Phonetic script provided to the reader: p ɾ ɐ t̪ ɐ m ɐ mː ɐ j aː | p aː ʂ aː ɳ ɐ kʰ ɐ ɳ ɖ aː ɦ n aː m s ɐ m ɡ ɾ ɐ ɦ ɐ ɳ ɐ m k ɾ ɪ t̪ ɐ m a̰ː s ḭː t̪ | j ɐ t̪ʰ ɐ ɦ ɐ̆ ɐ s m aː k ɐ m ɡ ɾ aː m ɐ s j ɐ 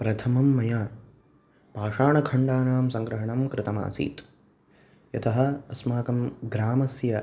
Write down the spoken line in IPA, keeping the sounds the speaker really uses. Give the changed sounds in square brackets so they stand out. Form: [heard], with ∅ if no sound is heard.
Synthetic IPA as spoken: p ɾ ɐ [t̪ʰ] ɐ m ɐ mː ɐ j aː | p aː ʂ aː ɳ ɐ kʰ ɐ ɳ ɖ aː [∅] n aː m s ɐ [ŋ] ɡ ɾ ɐ ɦ ɐ ɳ ɐ m k ɾ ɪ t̪ ɐ m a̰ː s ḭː t̪ | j ɐ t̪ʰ ɐ ɦ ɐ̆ ɐ s m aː k ɐ m ɡ ɾ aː m ɐ s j ɐ